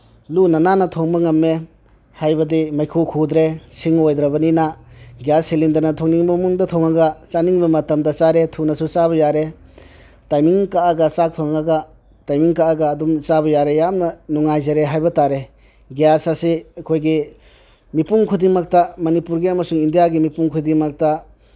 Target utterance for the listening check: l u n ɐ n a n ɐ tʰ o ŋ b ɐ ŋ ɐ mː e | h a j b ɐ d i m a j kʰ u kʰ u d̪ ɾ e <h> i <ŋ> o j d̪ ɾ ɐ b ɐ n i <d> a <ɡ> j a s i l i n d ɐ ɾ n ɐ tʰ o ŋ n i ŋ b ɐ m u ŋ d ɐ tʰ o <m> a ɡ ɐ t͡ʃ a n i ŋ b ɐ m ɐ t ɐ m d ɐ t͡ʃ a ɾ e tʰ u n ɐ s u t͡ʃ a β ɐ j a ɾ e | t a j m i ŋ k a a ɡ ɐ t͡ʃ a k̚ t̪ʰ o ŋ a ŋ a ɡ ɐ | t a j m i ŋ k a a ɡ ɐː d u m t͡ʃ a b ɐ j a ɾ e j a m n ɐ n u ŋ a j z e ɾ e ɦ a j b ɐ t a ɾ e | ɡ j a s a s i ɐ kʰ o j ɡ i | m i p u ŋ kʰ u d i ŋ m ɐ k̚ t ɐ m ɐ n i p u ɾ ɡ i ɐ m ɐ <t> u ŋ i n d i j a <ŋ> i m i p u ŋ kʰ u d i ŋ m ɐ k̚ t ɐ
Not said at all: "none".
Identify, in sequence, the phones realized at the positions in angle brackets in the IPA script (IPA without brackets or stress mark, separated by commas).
s, ŋ, n, ɡ, ŋ, s, ɡ